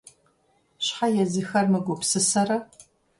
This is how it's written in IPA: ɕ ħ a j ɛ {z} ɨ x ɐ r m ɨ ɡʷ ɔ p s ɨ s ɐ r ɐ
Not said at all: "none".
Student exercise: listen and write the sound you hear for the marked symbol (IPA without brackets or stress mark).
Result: z